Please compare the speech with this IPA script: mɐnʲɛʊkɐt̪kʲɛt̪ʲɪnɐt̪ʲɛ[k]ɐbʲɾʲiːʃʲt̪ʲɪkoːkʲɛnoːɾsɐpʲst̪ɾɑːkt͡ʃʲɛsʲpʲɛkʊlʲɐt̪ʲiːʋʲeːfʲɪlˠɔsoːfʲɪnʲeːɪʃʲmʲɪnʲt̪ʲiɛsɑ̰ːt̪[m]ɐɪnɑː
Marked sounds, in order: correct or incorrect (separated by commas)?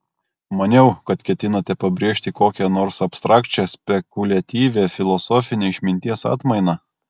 incorrect, correct